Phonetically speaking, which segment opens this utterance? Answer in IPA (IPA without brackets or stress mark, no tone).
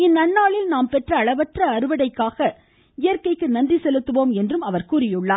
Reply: ɪ